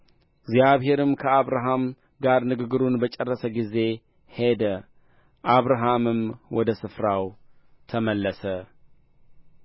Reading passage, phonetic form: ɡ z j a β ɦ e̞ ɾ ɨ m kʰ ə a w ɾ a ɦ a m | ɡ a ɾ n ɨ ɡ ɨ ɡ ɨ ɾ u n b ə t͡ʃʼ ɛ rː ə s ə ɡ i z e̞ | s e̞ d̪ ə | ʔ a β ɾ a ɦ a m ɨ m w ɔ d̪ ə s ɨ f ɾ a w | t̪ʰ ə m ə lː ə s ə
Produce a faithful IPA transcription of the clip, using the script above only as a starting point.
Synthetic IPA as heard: ɡ z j a β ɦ e̞ ɾ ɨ m kʰ ə a β ɾ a ɦ a m | ɡ a ɾ n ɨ ɡ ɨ ɡ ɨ ɾ u n b ə t͡ʃʼ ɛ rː ə s ə ɡ i z e̞ | h e̞ d̪ ə | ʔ a β ɾ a ɦ a m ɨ m w ɔ d̪ ə s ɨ f ɾ a w | t̪ʰ ə m ə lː ə s ə